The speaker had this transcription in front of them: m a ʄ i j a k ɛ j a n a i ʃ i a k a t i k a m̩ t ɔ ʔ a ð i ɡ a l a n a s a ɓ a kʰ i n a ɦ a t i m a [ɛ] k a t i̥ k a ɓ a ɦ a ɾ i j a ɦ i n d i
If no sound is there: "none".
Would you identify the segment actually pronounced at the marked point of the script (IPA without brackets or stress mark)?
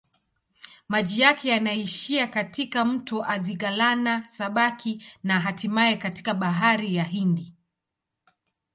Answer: ɛ